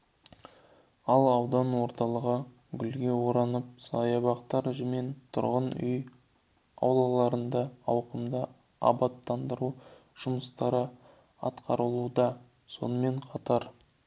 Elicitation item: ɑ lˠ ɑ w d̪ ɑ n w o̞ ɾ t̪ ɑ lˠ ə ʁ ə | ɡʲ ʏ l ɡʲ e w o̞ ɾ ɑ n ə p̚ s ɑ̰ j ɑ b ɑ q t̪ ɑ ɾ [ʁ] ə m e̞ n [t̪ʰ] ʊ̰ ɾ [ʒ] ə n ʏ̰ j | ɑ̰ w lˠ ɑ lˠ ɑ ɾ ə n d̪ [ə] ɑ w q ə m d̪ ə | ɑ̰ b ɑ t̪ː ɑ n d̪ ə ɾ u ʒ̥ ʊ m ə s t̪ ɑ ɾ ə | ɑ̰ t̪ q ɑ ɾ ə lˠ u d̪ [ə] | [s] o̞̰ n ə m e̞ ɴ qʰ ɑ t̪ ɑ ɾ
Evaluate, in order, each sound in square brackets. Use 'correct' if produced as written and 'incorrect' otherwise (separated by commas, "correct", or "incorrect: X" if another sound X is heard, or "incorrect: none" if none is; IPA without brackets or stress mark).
incorrect: ʒ, correct, incorrect: ʁ, incorrect: ɑ, incorrect: ɑ, correct